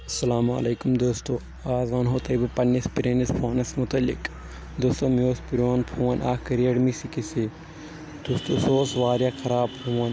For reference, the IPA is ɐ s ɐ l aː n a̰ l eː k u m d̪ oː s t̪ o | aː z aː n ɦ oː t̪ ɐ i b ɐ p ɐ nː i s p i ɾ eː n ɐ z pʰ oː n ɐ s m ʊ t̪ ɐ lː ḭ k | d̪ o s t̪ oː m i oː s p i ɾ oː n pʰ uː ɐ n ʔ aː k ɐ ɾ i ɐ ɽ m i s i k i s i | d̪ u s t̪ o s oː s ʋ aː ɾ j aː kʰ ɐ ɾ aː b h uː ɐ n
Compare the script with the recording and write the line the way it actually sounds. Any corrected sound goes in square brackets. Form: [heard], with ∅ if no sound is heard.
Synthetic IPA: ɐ s ɐ l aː [m] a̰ l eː k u m d̪ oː s t̪ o | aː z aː n ɦ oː t̪ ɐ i b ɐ p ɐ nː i s p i ɾ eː n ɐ [s] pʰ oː n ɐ s m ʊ t̪ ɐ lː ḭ k | d̪ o s t̪ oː m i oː s p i ɾ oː n pʰ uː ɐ n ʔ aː k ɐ ɾ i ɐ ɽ m i s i k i s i | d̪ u s t̪ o s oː s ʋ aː ɾ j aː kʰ ɐ ɾ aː b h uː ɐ n